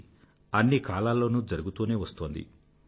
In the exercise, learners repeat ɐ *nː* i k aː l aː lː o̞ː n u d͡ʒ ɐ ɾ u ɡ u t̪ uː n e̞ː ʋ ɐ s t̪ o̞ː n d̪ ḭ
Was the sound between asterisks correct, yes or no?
yes